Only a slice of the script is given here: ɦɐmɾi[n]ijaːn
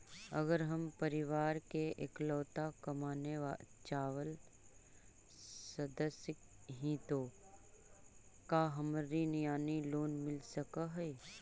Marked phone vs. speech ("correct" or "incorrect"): correct